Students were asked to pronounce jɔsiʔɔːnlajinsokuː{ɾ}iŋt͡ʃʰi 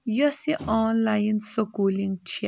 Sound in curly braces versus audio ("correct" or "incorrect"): incorrect